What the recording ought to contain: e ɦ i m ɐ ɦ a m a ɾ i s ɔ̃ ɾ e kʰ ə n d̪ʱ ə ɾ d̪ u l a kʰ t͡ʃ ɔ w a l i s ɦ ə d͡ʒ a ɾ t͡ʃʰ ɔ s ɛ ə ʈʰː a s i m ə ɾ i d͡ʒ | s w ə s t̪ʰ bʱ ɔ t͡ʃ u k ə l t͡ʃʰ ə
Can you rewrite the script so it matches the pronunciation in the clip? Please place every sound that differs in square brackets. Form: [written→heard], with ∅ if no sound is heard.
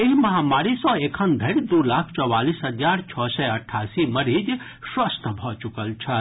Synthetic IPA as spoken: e ɦ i m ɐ ɦ a m a ɾ i s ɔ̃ [ɾ→∅] e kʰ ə n d̪ʱ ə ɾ d̪ u l a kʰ t͡ʃ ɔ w a l i s ɦ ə d͡ʒ a ɾ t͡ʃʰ ɔ s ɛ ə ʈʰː a s i m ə ɾ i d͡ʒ | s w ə s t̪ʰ bʱ ɔ t͡ʃ u k ə l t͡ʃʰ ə